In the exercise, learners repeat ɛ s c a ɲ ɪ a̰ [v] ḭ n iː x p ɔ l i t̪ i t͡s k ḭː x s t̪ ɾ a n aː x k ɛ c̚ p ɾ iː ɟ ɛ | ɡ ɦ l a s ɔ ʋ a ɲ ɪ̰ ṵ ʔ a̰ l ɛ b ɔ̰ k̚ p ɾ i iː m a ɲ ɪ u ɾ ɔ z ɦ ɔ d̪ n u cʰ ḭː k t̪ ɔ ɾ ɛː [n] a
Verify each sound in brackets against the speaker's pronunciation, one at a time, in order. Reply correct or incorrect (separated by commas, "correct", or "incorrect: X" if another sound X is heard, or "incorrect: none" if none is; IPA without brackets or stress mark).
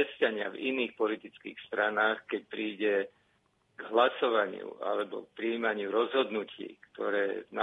correct, correct